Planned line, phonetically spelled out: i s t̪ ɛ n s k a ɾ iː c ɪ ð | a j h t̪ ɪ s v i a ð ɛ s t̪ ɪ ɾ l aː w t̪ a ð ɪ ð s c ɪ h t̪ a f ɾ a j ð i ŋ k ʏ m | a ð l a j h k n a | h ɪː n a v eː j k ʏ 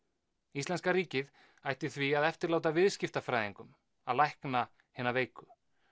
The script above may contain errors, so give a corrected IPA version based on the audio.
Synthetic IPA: i s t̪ ɛ n s k a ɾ iː c ɪ ð | a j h t̪ ɪ θ v i a ð ɛ f t̪ ɪ ɾ l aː w t̪ a v ɪ ð s c ɪ f t̪ a f ɾ a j ð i ŋ k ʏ m | a ð l a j h k n a | h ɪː n a v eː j k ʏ

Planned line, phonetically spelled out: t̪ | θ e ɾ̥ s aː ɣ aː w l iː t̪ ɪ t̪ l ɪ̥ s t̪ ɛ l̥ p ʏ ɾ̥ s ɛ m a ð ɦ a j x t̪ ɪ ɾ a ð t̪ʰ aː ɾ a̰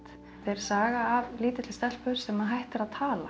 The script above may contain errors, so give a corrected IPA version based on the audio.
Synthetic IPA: t̪ | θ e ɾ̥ s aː ɣ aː v l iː t̪ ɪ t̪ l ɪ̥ s t̪ ɛ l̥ p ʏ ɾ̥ s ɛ m a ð ɦ a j h t̪ ɪ ɾ a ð t̪ʰ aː l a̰

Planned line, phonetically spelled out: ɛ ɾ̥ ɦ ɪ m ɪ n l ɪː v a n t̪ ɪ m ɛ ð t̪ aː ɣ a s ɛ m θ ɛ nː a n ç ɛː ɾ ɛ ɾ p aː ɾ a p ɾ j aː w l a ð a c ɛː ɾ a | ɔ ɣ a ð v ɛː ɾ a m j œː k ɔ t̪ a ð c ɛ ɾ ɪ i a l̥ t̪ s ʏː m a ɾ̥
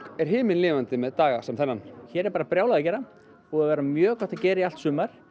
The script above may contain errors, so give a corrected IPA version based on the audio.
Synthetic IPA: ɛ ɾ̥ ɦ ɪː m ɪ n l ɪː v a n t̪ ɪ m ɛ ð t̪ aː ɣ a s ɛ m θ ɛ nː a n ç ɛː ɾ ɛ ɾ p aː ɾ a p ɾ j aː w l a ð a c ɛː ɾ a | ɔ ɣ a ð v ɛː ɾ a m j œː k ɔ t̪ a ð c ɛː ɾ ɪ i a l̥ t̪ s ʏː m a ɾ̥

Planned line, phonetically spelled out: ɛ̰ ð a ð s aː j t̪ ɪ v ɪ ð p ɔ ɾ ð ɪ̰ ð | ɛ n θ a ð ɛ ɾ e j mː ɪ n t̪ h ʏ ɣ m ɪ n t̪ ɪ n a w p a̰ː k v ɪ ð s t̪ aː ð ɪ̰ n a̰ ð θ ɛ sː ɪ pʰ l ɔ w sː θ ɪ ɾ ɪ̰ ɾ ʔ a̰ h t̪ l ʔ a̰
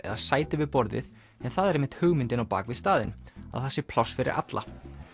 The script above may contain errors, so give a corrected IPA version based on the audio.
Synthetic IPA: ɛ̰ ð a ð s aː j t̪ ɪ v ɪ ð p ɔ ɾ ð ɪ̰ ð | ɛ n θ a ð ɛ ɾ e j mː ɪ n t̪ h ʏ ɣ m ɪ n t̪ ɪ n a w p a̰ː k v ɪ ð s t̪ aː ð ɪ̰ n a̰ ð θ ɛ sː ɪ pʰ l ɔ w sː f ɪ ɾ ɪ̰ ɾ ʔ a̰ t̪ l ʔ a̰

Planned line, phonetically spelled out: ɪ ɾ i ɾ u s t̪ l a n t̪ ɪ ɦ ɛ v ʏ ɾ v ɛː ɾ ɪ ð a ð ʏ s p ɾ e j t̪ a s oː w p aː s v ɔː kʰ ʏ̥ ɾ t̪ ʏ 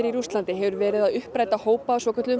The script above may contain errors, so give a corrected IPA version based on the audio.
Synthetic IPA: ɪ ɾ i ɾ u s t̪ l a n t̪ ɪ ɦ ɛ v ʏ ɾ v ɛː ɾ ɪ ð a ð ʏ h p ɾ a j t̪ a h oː w p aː s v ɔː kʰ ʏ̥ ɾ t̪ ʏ

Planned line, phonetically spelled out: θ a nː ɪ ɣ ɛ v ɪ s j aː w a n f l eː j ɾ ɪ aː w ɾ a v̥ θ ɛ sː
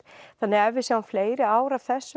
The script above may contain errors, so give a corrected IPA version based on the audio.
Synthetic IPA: θ a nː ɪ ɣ ɛ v ɪ s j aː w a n f l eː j ɾ ɪ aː w ɾ a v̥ θ ɛ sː

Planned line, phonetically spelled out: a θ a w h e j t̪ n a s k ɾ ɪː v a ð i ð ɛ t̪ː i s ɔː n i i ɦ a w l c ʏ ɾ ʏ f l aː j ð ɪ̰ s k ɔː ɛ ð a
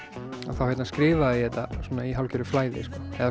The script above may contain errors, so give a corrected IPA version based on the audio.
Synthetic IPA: a θ a w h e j t̪ n a s k ɾ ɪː v a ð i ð ɛ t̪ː a s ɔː n a i ɦ a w l c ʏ ɾ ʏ f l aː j ð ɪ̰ s k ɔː ɛ ð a

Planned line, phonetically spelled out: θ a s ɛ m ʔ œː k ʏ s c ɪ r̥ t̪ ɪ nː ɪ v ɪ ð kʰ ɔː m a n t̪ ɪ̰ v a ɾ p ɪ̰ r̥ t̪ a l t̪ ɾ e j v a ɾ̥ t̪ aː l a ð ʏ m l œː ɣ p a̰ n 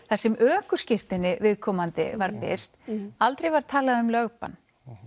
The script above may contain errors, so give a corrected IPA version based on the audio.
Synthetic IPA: θ a s ɛ m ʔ œː k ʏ s c ɪ r̥ t̪ ɪ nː ɪ v ɪ ð kʰ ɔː m a n t̪ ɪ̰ v a ɾ p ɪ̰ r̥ t̪ a l t̪ ɾ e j v a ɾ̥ t̪ʰ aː l a ð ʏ m l œ ɣ p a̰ n

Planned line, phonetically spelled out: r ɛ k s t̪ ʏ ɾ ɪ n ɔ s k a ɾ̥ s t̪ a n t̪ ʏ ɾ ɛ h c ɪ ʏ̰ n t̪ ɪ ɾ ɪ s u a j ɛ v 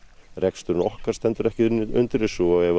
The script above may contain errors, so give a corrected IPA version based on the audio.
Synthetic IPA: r ɛ k s t̪ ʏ ɾ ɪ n ɔ h k a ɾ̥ s t̪ ɛ n t̪ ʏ ɾ ɛ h c ɪ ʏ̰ n t̪ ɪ ɾ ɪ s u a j ɛ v

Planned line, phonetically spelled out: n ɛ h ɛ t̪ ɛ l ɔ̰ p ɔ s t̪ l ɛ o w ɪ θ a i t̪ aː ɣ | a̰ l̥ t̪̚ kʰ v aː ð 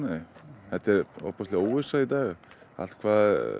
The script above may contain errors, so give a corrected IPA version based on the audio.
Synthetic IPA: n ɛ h ɛ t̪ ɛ ɾ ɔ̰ p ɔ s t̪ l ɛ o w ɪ s a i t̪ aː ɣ | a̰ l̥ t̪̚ kʰ v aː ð

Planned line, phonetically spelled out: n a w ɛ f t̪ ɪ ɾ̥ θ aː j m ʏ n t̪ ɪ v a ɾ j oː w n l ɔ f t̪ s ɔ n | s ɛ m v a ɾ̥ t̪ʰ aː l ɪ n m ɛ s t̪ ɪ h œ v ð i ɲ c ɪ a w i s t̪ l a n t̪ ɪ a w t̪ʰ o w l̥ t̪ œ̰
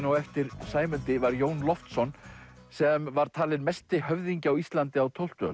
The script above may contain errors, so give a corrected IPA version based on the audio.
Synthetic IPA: n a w ɛ f t̪ ɪ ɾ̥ s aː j m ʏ n t̪ ɪ v a ɾ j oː w n l ɔ f t̪ s ɔ n | s ɛ m v a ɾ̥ t̪ʰ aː l ɪ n m ɛ s t̪ ɪ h œ v ð i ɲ c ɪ a w i s t̪ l a n t̪ ɪ a w t̪ʰ o w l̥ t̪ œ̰

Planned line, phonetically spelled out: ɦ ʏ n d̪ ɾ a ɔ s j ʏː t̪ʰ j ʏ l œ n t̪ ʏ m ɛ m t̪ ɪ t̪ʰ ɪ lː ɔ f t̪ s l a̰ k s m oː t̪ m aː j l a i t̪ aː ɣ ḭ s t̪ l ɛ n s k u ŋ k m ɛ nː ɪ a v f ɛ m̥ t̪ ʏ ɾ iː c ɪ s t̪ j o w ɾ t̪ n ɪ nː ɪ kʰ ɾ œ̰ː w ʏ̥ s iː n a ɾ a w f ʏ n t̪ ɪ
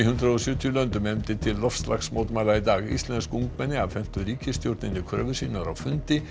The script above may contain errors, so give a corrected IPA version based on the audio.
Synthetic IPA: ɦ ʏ n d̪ ɾ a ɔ s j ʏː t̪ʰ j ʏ l œ n t̪ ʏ m ɛ m t̪ ɪ t̪ʰ ɪ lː ɔ f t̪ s l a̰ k s m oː t̪ m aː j l a i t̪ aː ɣ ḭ s t̪ l ɛ n s k u ŋ k m ɛ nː ɪ a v f ɛ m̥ t̪ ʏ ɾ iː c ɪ s t̪ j o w ɾ t̪ n ɪ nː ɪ kʰ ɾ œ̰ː v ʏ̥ s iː n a ɾ a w f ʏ n t̪ ɪ

